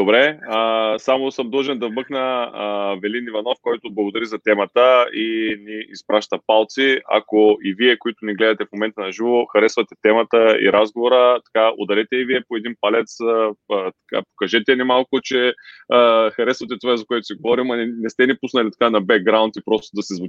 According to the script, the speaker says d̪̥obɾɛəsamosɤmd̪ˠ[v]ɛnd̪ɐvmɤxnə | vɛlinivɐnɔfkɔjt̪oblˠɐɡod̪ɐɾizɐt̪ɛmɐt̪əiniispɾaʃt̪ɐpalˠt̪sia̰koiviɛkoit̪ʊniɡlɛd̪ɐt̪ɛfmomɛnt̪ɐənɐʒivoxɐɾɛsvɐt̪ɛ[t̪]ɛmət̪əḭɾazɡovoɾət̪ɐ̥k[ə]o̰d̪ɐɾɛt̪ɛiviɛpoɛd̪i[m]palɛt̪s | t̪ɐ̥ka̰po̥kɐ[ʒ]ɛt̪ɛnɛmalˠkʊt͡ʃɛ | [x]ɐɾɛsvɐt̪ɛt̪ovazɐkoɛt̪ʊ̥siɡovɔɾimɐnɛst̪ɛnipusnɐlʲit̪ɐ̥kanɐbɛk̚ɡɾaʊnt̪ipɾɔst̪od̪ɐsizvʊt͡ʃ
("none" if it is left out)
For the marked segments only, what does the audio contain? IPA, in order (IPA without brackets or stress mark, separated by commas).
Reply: ʒ, t̪, a, n, ʒ, x